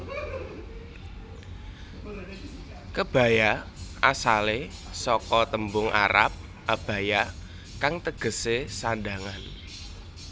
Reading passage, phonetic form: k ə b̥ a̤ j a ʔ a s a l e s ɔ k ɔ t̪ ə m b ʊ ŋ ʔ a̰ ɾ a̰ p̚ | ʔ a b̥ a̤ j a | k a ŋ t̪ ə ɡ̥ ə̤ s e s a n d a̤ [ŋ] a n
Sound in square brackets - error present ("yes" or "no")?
no